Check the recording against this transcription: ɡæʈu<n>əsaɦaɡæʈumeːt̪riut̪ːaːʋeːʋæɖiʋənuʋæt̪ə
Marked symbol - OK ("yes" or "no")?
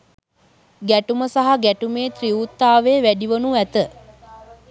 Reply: no